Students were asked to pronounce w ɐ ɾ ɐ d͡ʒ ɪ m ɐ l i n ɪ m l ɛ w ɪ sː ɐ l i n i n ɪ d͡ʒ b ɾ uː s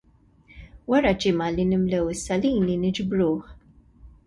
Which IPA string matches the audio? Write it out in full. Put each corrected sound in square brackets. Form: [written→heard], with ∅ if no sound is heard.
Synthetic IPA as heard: w ɐ ɾ ɐ d͡ʒ ɪ m ɐ l i n ɪ m l ɛ w ɪ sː ɐ l [i→iː] n i n ɪ d͡ʒ b ɾ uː [s→ħ]